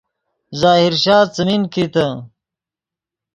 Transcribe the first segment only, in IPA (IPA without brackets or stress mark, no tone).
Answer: z